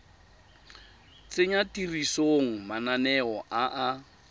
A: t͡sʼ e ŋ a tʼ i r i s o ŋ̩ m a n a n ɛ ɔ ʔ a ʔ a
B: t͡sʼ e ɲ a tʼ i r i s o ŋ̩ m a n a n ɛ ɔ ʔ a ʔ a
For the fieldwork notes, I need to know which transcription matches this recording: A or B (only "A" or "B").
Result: B